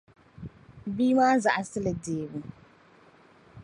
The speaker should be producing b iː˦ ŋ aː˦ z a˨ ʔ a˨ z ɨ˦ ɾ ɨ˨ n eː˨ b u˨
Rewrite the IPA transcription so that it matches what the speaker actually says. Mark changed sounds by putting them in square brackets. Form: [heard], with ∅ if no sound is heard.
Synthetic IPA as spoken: b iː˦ [m] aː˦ z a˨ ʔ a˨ [s] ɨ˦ [l] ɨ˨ [d] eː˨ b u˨